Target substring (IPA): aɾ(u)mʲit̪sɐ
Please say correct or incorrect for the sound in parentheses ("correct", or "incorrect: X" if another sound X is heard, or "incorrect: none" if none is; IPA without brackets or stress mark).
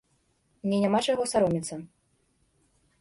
incorrect: ɔ